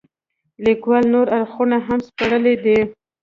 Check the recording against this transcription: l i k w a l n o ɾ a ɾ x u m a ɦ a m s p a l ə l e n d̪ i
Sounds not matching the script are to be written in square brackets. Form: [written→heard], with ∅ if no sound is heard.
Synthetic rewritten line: l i k w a l n o ɾ a ɾ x u [m→n] a ɦ a m s p a [l→ɽ] ə l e [n→∅] d̪ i